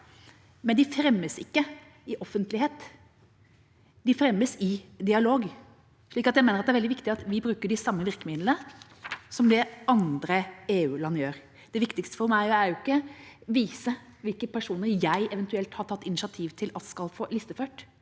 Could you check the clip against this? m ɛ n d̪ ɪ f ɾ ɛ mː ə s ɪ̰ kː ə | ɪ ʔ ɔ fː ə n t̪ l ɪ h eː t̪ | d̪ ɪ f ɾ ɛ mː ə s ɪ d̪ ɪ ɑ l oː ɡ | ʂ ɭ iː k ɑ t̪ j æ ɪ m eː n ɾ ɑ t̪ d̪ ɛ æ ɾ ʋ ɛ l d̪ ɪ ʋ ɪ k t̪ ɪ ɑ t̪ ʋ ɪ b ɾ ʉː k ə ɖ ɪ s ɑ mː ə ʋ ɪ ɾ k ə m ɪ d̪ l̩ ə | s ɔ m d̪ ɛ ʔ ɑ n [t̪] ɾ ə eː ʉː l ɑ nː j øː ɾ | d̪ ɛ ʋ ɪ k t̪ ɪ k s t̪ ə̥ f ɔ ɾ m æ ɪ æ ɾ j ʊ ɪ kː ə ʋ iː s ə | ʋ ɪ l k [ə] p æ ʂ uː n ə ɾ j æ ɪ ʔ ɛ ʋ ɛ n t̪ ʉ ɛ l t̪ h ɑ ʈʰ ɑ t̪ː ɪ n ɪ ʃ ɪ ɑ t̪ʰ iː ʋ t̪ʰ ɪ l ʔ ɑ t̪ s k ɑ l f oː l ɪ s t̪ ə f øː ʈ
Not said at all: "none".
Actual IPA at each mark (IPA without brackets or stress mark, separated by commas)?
d̪, ə